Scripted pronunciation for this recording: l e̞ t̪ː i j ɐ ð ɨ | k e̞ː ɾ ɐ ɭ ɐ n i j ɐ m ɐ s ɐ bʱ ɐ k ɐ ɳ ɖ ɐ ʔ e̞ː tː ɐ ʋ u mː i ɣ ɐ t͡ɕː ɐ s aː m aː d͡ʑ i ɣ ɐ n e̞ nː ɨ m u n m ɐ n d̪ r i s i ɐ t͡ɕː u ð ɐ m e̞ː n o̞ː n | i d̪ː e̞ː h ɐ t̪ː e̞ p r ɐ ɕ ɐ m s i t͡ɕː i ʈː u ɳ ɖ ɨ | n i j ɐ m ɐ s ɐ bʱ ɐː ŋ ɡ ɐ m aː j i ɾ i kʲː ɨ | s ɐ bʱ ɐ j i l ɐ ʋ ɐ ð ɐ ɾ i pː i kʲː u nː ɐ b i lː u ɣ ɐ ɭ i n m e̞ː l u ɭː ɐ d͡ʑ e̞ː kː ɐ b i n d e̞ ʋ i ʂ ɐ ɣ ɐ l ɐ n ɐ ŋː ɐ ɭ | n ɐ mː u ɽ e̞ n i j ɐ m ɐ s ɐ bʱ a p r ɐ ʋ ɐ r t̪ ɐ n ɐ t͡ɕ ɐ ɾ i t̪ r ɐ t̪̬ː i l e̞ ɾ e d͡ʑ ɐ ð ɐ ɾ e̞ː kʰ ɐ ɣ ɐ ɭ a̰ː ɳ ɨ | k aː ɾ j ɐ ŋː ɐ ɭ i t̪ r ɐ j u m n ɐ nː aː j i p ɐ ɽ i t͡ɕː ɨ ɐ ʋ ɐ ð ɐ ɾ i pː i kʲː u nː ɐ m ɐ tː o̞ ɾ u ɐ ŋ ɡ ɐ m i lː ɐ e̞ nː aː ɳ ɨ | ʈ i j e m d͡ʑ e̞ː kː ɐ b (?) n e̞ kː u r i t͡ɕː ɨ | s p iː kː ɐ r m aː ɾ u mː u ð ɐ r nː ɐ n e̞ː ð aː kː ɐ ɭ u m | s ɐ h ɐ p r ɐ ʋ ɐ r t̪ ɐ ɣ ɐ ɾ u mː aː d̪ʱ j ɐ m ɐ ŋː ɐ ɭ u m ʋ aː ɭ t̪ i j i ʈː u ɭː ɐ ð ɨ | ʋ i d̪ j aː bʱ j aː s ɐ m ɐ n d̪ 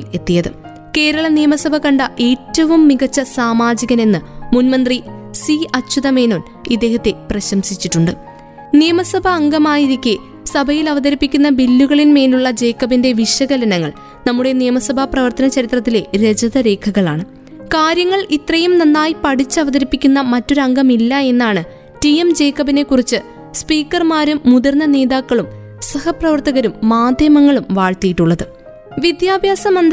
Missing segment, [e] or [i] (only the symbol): i